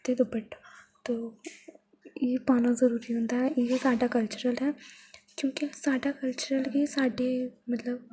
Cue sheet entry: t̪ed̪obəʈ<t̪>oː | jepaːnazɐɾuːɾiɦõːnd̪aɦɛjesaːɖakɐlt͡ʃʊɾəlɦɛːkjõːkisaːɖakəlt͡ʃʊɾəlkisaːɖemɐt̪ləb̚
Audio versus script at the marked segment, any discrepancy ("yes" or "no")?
no